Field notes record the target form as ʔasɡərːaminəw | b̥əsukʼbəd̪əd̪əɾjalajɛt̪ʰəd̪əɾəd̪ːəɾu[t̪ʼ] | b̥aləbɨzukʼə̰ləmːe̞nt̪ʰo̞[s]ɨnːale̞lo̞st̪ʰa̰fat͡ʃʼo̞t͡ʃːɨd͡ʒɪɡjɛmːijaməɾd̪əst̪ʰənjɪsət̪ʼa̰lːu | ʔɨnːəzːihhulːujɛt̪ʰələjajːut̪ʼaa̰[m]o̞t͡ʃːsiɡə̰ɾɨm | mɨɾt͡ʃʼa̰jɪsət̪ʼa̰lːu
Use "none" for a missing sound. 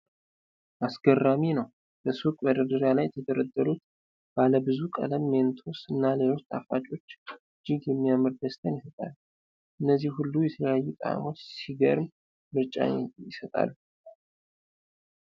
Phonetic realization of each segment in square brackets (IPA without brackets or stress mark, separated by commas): t̪, s, m